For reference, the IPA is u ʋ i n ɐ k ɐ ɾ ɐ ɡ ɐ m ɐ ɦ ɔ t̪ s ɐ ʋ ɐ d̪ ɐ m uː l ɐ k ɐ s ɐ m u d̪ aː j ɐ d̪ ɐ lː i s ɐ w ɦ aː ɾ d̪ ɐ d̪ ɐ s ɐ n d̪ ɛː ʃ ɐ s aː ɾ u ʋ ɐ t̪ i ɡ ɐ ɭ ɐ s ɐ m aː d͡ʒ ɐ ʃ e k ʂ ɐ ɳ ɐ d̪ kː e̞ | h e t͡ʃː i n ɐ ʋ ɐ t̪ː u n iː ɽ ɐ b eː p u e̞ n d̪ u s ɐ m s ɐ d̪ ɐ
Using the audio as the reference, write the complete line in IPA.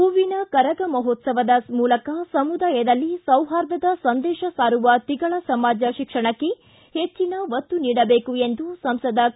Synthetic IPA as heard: u ʋ i n ɐ k ɐ ɾ ɐ ɡ ɐ m ɐ ɦ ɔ t̪ s ɐ ʋ ɐ d̪ ɐ m uː l ɐ k ɐ s ɐ m u d̪ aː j ɐ d̪ ɐ lː i s ɐ w ɦ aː ɾ d̪ ɐ d̪ ɐ s ɐ n d̪ ɛː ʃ ɐ s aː ɾ u ʋ ɐ t̪ i ɡ ɐ ɭ ɐ s ɐ m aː d͡ʒ ɐ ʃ i k ʂ ɐ ɳ ɐ kː e̞ | h e t͡ʃː i n ɐ ʋ ɐ t̪ː u n iː ɽ ɐ b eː k u e̞ n d̪ u s ɐ m s ɐ d̪ ɐ

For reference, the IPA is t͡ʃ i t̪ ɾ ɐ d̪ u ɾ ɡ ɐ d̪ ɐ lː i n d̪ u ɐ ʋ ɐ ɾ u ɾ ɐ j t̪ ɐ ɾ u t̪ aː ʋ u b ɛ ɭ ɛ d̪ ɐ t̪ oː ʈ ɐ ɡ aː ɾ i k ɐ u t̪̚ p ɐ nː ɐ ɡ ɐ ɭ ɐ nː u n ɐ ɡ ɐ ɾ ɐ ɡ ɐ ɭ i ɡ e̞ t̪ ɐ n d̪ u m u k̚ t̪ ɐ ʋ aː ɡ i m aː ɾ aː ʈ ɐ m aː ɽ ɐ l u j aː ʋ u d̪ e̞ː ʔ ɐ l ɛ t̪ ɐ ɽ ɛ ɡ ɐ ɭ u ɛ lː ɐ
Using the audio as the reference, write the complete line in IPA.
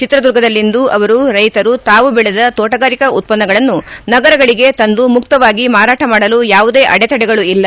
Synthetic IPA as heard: t͡ʃ i t̪ ɾ ɐ d̪ u ɾ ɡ ɐ d̪ ɐ lː i n d̪ u ɐ ʋ ɐ ɾ u ɾ ɐ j t̪ ɐ ɾ u t̪ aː ʋ u b ɛ ɭ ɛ d̪ ɐ t̪ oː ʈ ɐ ɡ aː ɾ i k ɐ u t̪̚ p ɐ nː ɐ ɡ ɐ ɭ ɐ nː u n ɐ ɡ ɐ ɾ ɐ ɡ ɐ ɭ i ɡ e̞ t̪ ɐ n d̪ u m u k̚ t̪ ɐ ʋ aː ɡ i m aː ɾ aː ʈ ɐ m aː ɽ ɐ l u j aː ʋ u d̪ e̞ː ʔ ɐ ɽ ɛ t̪ ɐ ɽ ɛ ɡ ɐ ɭ u i lː ɐ

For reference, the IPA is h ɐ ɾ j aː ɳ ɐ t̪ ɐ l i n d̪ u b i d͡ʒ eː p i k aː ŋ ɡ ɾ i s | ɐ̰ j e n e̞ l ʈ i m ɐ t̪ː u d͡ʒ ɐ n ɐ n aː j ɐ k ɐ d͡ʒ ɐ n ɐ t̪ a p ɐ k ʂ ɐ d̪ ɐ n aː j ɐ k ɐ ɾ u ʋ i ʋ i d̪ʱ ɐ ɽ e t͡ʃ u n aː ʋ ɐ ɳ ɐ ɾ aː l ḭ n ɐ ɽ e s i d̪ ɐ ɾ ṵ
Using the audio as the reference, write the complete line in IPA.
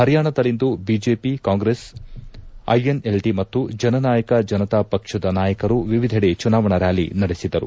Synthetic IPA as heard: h ɐ ɾ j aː ɳ ɐ d̪ ɐ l i n d̪ u b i d͡ʒ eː p i k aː ŋ ɡ ɾ e s | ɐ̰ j e n e̞ l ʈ i m ɐ t̪ː u d͡ʒ ɐ n ɐ n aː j ɐ k ɐ d͡ʒ ɐ n ɐ t̪ a p ɐ k ʂ ɐ d̪ ɐ n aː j ɐ k ɐ ɾ u ʋ i ʋ i d̪ʱ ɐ ɽ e t͡ʃ u n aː ʋ ɐ ɳ ɐ ɾ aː l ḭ n ɐ ɽ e s i d̪ ɐ ɾ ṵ

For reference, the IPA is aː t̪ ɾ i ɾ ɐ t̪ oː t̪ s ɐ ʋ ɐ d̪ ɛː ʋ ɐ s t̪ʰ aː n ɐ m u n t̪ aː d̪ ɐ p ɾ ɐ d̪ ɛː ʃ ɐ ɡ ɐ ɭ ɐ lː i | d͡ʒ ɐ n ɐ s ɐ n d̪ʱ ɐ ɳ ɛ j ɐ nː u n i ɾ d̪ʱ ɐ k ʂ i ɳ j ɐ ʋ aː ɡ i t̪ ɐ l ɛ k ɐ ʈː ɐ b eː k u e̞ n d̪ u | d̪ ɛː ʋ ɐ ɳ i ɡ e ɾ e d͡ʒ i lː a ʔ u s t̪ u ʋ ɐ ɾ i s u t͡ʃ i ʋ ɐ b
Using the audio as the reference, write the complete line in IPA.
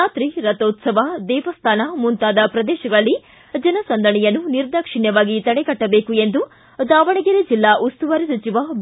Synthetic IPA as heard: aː t̪ ɾ i ɾ ɐ t̪ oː t̪ s ɐ ʋ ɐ d̪ ɛː ʋ ɐ s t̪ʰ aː n ɐ m u n t̪ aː d̪ ɐ p ɾ ɐ d̪ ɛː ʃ ɐ ɡ ɐ ɭ ɐ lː i | d͡ʒ ɐ n ɐ s ɐ n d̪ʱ ɐ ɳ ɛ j ɐ nː u n i ɾ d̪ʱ ɐ k ʂ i ɳ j ɐ ʋ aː ɡ i t̪ ɐ ɽ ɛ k ɐ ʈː ɐ b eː k u e̞ n d̪ u | d̪ aː ʋ ɐ ɳ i ɡ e ɾ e d͡ʒ i lː a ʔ u s t̪ u ʋ ɐ ɾ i s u t͡ʃ i ʋ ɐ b

